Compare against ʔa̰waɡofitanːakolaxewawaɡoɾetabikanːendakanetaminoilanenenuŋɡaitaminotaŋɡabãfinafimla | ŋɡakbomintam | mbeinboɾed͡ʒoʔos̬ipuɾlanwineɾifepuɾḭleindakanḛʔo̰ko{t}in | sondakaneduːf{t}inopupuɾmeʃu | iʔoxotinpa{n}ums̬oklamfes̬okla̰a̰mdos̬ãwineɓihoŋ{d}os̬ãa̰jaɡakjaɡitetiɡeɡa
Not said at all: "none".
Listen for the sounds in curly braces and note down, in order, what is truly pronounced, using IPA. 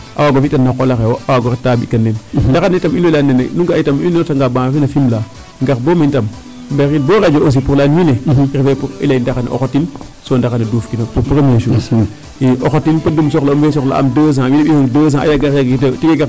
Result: t, k, d, d

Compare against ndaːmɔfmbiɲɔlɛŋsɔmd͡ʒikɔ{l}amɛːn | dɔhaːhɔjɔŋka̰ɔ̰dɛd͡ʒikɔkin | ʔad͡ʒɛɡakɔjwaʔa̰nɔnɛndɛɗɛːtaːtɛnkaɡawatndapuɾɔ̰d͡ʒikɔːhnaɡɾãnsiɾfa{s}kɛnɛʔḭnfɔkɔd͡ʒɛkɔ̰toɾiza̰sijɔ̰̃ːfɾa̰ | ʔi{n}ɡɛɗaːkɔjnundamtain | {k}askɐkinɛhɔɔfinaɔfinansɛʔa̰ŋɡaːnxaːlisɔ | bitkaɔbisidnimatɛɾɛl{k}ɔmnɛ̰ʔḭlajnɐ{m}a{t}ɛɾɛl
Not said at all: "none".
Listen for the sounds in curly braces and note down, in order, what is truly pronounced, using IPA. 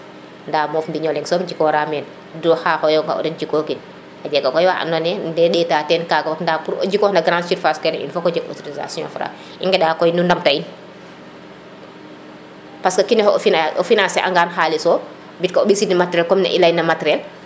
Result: ɾ, s, ŋ, p, k, m, t

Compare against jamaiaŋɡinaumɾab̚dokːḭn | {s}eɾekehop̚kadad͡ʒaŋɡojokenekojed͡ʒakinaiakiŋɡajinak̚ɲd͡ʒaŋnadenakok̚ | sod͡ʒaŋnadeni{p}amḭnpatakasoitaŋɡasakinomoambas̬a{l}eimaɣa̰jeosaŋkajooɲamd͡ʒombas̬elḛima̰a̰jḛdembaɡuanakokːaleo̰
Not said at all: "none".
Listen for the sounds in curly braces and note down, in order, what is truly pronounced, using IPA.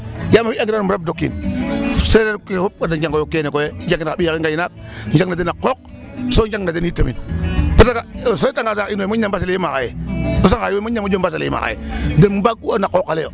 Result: s, t, l

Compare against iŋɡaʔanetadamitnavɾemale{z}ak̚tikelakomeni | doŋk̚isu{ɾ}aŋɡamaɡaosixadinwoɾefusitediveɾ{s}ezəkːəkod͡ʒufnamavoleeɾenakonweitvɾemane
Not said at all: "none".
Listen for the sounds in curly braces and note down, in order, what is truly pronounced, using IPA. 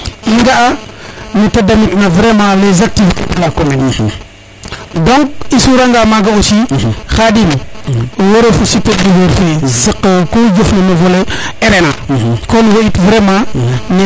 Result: z, ɾ, f

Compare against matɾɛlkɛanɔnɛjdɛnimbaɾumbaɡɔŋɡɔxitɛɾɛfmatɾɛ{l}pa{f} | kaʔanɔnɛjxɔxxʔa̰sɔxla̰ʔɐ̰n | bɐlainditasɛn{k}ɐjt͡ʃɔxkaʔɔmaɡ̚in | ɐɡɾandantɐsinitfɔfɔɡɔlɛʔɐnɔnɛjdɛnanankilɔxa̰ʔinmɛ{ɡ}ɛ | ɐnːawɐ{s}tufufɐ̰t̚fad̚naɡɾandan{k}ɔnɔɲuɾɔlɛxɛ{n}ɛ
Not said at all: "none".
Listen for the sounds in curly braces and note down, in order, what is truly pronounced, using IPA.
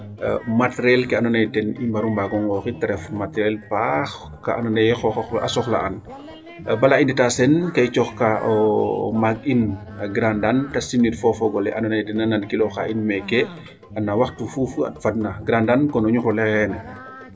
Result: l, x, k, k, x, k, n

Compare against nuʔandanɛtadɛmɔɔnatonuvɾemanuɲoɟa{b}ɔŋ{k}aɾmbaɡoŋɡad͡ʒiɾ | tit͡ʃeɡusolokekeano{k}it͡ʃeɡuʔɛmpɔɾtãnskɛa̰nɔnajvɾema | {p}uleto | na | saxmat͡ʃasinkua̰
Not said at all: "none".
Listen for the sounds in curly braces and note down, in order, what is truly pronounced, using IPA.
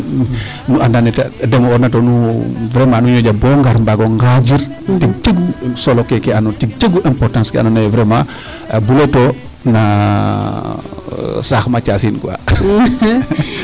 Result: b, ɡ, t, b

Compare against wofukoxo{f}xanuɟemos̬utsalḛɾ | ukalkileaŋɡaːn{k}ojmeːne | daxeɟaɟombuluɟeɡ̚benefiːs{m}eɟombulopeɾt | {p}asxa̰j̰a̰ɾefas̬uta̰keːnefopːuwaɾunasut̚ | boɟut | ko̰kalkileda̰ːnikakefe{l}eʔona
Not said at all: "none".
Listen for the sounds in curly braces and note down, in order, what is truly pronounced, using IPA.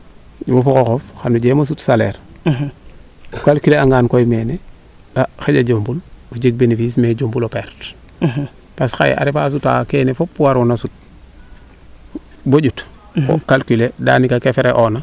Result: f, k, m, p, ɾ

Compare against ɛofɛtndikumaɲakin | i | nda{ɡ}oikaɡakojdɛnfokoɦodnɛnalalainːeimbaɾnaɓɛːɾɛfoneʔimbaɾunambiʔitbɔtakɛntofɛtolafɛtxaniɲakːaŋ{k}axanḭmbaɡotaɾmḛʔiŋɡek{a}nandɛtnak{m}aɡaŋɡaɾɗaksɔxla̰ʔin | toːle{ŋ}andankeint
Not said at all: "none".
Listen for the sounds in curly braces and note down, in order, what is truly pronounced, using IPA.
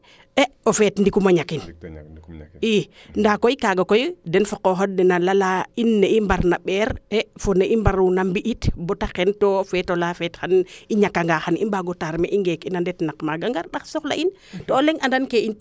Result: k, ɡ, i, m, ŋ

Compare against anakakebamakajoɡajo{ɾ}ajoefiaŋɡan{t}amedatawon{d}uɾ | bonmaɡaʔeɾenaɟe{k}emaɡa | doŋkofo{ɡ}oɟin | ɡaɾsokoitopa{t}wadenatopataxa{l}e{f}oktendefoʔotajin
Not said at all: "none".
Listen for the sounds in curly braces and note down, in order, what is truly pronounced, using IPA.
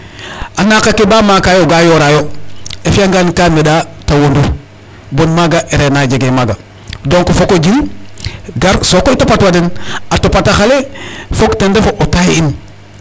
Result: ɾ, k, d, ɡ, k, t, l, f

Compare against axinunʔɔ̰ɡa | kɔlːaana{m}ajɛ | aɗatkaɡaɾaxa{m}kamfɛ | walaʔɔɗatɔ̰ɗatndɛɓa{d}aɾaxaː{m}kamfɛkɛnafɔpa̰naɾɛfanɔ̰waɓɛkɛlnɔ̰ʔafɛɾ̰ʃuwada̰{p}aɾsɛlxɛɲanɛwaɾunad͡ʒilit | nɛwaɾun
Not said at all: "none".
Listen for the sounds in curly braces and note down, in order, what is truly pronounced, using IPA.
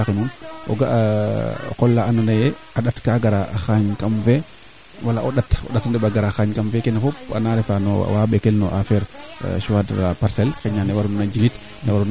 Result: n, ɲ, ɡ, ɲ, p

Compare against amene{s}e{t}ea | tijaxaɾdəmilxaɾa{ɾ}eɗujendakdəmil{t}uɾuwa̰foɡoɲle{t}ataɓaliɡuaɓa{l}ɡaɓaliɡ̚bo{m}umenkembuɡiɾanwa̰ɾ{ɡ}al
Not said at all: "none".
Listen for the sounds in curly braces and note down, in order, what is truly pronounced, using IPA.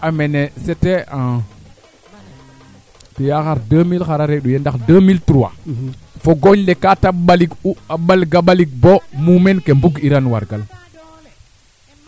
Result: s, t, ɾ, t, k, l, m, ɡ

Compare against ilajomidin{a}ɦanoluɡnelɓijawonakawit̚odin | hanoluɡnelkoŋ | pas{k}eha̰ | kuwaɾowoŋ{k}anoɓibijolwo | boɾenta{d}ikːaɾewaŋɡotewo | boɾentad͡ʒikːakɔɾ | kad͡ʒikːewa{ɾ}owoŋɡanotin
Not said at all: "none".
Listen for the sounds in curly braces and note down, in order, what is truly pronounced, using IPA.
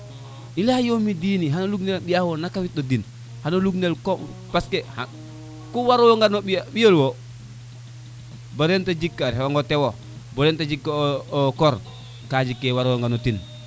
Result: i, k, ɡ, d͡ʒ, ɾ

